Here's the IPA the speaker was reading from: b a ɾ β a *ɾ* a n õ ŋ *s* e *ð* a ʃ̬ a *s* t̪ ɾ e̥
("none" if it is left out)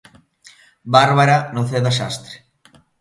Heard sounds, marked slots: ɾ, θ, ð, s

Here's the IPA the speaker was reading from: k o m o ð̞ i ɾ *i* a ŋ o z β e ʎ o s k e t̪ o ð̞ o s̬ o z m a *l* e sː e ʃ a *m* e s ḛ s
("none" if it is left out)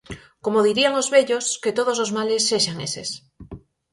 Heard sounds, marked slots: i, l, ŋ

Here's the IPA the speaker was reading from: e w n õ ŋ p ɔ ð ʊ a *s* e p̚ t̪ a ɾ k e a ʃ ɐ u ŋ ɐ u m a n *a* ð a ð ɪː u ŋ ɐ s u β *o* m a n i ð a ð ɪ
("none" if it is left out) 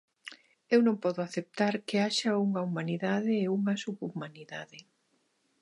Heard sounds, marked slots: θ, i, u

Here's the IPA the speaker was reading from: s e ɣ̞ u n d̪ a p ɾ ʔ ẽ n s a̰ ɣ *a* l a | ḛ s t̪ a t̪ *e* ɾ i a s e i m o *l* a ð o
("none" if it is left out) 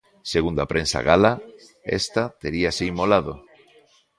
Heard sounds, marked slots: a, e, l

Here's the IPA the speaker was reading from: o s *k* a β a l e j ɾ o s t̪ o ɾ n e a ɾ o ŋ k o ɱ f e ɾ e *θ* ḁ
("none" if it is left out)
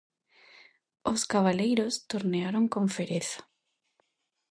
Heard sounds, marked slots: k, θ

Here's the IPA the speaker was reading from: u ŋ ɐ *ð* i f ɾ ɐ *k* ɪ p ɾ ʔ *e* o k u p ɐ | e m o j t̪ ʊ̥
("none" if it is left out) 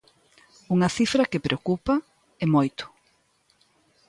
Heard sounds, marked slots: θ, k, e

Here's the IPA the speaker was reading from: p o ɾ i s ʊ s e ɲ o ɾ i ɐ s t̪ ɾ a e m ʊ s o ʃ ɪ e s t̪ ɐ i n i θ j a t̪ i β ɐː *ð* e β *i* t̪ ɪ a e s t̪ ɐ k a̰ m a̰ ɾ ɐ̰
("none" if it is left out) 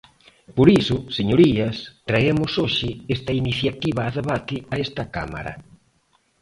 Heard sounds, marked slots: ð, a

